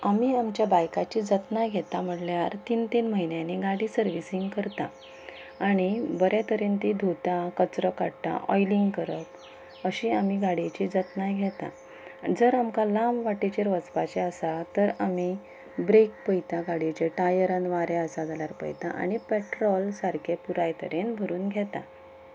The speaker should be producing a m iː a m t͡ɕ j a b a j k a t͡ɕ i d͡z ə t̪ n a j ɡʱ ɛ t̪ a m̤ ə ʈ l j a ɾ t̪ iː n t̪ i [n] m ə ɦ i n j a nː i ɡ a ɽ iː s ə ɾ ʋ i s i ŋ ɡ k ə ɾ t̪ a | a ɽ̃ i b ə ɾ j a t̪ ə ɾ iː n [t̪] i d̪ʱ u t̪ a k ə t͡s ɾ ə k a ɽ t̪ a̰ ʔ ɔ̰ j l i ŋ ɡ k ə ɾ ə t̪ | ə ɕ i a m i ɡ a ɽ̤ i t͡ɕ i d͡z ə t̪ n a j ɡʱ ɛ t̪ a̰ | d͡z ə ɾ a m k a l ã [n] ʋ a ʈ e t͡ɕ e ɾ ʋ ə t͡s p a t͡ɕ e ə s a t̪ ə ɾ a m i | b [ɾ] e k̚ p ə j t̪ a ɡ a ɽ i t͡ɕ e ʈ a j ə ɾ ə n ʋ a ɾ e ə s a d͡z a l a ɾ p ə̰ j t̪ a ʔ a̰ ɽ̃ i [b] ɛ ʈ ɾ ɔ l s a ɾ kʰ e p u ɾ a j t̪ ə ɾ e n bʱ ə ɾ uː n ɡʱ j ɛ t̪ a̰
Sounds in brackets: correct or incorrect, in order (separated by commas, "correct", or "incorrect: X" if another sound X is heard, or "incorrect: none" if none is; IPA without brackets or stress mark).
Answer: correct, correct, incorrect: m, correct, incorrect: p